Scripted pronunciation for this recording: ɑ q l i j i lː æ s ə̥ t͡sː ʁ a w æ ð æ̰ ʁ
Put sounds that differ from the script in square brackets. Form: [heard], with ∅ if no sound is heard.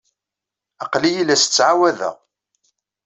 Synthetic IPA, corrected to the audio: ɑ q l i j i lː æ s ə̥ t͡sː [ʕ] a w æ ð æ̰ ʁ